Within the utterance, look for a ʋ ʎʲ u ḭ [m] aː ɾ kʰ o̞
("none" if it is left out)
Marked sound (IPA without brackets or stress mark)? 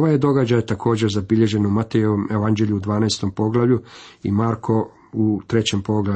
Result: m